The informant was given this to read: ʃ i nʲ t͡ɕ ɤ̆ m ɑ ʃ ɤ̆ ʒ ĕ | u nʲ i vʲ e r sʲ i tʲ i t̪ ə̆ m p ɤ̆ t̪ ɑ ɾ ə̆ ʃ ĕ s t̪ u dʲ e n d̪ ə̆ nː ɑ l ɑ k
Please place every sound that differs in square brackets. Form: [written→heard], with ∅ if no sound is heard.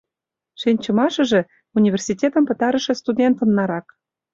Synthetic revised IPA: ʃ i nʲ t͡ɕ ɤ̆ m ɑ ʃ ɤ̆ ʒ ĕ | u nʲ i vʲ e r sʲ i tʲ [i→e] t̪ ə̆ m p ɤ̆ t̪ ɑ ɾ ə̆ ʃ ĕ s t̪ u dʲ e n [d̪→t̪] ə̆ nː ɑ [l→ɾ] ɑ k